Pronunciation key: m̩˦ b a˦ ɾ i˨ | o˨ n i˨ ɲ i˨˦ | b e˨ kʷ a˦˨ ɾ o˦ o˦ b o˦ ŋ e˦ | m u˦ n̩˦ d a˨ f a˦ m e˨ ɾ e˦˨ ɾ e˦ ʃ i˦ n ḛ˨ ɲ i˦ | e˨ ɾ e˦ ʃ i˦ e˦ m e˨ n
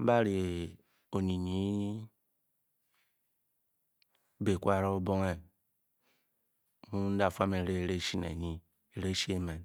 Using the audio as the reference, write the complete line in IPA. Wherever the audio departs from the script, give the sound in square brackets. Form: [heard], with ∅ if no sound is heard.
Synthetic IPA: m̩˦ b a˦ ɾ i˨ | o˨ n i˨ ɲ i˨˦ | b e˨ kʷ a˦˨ ɾ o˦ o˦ b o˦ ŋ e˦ | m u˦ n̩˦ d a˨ f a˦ m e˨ ɾ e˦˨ ɾ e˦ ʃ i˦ n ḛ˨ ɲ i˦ | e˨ ɾ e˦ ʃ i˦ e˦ m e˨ n